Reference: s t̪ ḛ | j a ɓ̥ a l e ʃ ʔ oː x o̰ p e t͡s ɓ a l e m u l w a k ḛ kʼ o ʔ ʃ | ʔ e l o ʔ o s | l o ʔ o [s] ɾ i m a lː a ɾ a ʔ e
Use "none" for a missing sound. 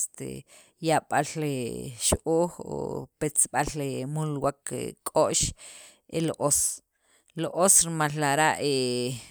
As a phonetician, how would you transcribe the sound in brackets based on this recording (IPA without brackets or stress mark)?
s